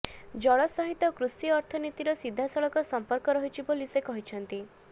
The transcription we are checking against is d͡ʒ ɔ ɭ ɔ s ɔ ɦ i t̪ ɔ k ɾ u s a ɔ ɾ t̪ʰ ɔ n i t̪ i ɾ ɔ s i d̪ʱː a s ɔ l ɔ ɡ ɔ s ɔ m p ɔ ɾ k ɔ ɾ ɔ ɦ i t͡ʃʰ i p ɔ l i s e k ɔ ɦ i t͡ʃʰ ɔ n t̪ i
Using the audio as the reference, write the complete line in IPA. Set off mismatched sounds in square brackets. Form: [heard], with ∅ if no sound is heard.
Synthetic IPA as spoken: d͡ʒ ɔ ɭ ɔ s ɔ ɦ i t̪ ɔ k ɾ u s [i] ɔ ɾ t̪ʰ ɔ n i t̪ i ɾ ɔ s i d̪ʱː a s ɔ [ɭ] ɔ [k] ɔ s ɔ m p ɔ ɾ k ɔ ɾ ɔ ɦ i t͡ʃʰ i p [o] l i s e k ɔ ɦ i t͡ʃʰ ɔ n t̪ i